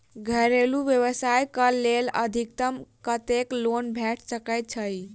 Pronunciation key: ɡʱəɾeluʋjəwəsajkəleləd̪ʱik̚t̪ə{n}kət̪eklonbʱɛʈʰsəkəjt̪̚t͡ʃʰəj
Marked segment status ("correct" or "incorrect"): incorrect